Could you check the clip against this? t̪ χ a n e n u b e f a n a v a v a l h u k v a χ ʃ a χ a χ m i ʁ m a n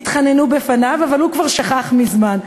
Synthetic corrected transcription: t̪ χ a n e n u b e f a n a v a v a l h u k v a ʁ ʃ a χ a χ m i z m a n